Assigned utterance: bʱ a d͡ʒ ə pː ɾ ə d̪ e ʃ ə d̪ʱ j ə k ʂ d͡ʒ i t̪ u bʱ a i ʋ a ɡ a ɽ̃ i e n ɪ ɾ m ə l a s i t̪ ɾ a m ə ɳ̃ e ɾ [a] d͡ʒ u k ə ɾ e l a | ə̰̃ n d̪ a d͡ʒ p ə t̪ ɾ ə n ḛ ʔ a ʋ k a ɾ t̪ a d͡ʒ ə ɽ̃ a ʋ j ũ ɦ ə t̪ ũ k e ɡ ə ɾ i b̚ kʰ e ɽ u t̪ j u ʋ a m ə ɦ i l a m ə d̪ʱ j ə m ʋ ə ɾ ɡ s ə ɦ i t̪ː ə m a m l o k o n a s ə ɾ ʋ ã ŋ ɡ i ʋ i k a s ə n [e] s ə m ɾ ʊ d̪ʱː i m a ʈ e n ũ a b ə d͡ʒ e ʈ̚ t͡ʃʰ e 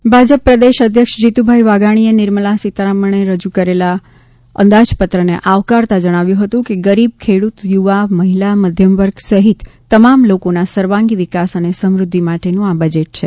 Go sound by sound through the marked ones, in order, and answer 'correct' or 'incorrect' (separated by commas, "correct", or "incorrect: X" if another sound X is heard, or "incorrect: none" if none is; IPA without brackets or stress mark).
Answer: incorrect: ə, correct